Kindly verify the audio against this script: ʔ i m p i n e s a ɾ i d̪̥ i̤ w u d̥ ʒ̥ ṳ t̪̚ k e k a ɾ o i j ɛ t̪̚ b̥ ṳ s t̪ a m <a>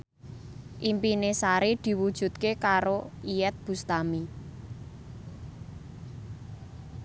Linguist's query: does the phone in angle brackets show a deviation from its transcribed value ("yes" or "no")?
yes